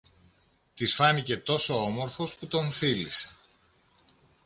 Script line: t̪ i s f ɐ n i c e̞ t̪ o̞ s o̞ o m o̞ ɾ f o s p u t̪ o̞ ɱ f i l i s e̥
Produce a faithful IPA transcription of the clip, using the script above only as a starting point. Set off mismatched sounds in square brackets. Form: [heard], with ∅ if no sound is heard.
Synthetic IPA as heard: t̪ i s f ɐ n i c e̞ t̪ o̞ s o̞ o m o̞ ɾ f o s p u t̪ o̞ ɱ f i l i s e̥